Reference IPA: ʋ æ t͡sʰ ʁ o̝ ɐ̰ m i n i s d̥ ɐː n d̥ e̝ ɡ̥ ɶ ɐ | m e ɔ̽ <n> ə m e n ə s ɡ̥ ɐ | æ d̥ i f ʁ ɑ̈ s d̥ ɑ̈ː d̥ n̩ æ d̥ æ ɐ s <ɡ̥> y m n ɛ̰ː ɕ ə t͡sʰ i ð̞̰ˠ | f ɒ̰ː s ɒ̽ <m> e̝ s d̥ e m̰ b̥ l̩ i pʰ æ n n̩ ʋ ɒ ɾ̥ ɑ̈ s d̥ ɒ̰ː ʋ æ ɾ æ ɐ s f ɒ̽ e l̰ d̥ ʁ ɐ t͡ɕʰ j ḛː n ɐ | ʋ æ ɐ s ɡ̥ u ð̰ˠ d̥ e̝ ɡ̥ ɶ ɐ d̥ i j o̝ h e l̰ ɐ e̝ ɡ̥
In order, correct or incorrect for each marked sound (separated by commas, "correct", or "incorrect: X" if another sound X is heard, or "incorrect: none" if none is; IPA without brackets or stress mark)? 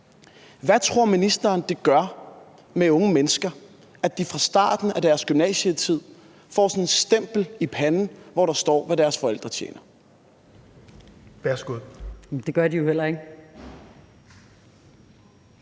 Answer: incorrect: ŋ, correct, incorrect: n